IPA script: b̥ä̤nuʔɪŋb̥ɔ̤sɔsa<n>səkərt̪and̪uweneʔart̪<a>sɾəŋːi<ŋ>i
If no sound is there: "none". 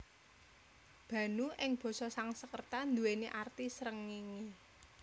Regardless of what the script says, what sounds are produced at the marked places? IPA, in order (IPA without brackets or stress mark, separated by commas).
ŋ, i, ŋ